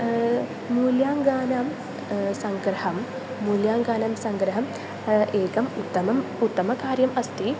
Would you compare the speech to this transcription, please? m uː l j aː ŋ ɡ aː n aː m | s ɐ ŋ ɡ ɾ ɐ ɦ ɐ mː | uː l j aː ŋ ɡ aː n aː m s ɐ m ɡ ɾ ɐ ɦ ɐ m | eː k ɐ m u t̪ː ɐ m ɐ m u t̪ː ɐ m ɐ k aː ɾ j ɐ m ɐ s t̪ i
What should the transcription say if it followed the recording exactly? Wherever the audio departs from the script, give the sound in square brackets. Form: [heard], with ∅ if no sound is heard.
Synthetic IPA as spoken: m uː l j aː ŋ ɡ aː n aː m | s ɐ ŋ ɡ ɾ ɐ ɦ ɐ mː | uː l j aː ŋ ɡ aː n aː m s ɐ [ŋ] ɡ ɾ ɐ ɦ ɐ m | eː k ɐ m u t̪ː ɐ m ɐ m u t̪ː ɐ m ɐ k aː ɾ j ɐ m ɐ s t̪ i